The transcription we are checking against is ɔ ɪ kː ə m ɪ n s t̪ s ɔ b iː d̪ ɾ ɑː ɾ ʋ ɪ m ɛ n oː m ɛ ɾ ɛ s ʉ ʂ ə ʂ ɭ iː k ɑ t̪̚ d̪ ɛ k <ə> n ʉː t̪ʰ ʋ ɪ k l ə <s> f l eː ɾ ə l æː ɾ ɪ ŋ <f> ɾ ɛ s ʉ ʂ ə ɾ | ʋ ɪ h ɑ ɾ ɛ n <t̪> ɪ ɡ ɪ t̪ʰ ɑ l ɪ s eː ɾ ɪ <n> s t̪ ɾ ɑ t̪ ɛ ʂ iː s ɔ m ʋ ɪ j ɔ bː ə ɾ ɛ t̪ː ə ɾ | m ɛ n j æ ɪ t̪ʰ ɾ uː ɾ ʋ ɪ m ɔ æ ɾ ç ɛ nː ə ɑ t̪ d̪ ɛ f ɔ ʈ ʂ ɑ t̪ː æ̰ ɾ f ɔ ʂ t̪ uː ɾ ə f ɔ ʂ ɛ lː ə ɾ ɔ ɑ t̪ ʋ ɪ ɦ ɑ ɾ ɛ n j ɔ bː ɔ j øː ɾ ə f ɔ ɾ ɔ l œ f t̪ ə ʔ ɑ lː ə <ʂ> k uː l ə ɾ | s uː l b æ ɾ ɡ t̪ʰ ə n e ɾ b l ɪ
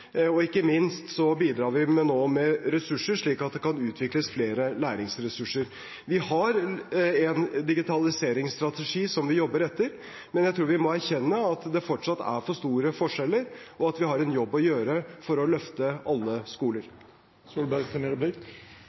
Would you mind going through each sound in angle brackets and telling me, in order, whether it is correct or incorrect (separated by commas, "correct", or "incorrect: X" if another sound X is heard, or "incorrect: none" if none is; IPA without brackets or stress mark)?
incorrect: ɑ, correct, incorrect: s, incorrect: d̪, incorrect: ŋ, incorrect: s